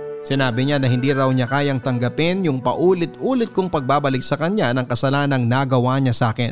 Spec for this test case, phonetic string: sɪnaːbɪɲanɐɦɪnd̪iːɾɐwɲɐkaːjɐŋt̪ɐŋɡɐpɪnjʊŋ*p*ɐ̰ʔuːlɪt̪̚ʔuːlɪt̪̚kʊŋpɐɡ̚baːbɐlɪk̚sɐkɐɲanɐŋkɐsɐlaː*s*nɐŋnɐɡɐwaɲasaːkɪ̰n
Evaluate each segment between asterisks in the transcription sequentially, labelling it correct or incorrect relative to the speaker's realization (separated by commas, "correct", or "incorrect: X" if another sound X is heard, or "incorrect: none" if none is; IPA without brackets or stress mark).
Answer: correct, incorrect: none